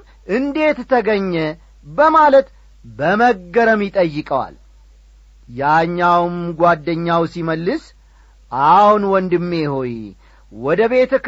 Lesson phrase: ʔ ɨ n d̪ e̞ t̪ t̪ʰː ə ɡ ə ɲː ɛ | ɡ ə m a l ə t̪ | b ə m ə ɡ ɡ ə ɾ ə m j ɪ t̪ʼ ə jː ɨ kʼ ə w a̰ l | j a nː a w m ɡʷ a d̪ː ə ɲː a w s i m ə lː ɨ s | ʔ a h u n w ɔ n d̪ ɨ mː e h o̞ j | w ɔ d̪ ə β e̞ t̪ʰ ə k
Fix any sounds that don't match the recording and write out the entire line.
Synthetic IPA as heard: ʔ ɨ n d̪ e̞ t̪ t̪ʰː ə ɡ ə ɲː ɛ | b ə m a l ə t̪ | b ə m ə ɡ ɡ ə ɾ ə m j ɪ t̪ʼ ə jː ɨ kʼ ə w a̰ l | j a ɲː a w m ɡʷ a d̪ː ə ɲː a w s i m ə lː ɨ s | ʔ a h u n w ɔ n d̪ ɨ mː e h o̞ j | w ɔ d̪ ə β e̞ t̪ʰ ə k